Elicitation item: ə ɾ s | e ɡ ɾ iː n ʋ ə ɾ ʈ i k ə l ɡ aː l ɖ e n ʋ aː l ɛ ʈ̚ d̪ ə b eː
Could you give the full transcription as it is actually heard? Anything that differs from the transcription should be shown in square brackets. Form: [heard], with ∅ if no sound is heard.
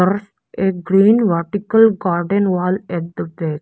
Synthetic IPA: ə ɾ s | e ɡ ɾ iː n ʋ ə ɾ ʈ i k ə l ɡ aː [ɾ] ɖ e n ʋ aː l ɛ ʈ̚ d̪ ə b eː